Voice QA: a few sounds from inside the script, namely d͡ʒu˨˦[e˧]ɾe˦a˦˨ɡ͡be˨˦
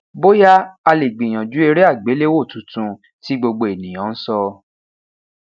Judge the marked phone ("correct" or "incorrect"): correct